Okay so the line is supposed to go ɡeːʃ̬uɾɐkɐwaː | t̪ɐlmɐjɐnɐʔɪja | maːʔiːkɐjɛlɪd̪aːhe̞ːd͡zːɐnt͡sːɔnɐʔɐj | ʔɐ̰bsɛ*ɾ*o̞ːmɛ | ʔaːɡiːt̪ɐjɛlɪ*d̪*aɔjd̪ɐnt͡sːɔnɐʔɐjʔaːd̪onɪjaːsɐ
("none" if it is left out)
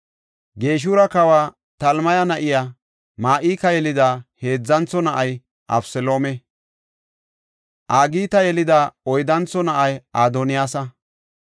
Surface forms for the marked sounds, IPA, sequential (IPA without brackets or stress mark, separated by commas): l, d̪